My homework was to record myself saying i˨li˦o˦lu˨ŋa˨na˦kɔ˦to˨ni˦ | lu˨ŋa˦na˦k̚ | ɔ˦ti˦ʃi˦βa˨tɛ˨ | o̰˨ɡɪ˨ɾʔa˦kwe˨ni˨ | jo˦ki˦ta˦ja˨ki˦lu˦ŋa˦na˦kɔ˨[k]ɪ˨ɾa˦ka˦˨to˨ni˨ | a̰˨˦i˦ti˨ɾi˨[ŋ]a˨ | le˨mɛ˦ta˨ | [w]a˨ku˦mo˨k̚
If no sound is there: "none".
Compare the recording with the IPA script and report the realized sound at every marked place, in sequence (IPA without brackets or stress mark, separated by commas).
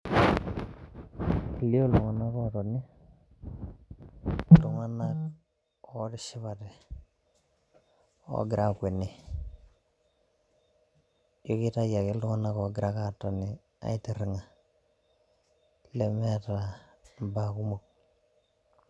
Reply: ɡ, ŋ, b